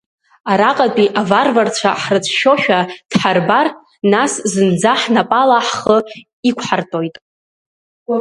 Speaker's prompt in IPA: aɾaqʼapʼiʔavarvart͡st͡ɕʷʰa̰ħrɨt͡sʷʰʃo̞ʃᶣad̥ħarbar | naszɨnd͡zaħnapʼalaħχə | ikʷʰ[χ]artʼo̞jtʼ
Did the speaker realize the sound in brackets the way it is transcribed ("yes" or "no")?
no